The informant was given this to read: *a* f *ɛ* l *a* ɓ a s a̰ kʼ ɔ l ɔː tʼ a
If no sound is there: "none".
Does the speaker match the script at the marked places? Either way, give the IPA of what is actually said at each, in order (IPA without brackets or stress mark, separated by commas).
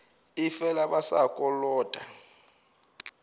i, ɛ, a